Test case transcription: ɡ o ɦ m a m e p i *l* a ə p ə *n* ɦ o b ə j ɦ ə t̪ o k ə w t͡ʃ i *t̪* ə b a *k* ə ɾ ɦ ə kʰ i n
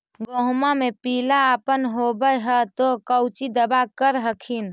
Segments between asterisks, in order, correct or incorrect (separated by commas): correct, correct, incorrect, correct